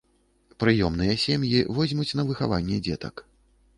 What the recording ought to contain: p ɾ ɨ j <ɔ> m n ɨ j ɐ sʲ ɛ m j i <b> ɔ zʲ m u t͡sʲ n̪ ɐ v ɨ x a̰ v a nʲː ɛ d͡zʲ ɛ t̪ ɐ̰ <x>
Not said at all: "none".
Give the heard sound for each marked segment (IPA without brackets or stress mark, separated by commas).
ɔ, v, k